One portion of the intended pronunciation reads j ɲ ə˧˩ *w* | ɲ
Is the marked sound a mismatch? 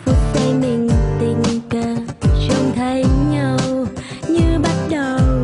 no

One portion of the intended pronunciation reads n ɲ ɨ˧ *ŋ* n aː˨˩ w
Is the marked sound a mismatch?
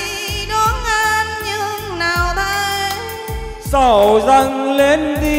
no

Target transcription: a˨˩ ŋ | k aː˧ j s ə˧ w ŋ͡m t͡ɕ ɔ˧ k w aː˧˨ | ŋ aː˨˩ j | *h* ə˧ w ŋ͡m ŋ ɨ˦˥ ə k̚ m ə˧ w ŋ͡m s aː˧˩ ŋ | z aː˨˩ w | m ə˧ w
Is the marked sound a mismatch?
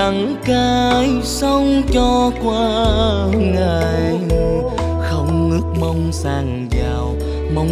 yes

